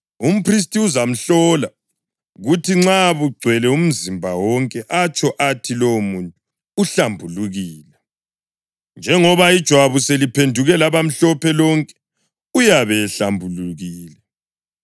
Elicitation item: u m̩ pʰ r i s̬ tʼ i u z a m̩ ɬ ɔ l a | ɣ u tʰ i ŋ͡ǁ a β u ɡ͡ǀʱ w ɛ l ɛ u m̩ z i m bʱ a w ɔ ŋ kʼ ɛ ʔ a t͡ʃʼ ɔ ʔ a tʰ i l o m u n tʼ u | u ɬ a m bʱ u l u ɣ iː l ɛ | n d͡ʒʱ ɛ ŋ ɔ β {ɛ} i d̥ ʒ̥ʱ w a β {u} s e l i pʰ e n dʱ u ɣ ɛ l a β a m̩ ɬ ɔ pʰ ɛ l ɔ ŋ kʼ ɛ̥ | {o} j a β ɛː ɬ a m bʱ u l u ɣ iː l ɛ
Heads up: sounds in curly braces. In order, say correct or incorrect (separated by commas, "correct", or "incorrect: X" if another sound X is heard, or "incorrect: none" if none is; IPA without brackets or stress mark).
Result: incorrect: a, correct, incorrect: u